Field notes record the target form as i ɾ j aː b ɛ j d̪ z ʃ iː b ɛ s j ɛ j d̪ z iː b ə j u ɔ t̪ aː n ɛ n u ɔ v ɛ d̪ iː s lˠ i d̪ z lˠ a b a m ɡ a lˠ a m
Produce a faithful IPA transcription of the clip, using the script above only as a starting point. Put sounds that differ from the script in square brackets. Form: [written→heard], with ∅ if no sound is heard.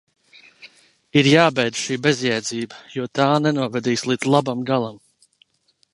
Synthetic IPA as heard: i ɾ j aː b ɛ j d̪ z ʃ iː b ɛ [s→z] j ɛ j d̪ z iː b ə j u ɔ t̪ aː n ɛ n u ɔ v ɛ d̪ iː s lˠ i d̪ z lˠ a b a m ɡ a lˠ a m